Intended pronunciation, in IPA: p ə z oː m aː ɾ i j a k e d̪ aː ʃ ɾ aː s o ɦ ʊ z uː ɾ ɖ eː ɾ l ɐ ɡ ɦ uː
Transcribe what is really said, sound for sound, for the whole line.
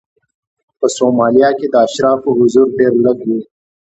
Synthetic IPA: p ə s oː m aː l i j a k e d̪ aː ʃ ɾ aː f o ɦ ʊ z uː ɾ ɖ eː ɾ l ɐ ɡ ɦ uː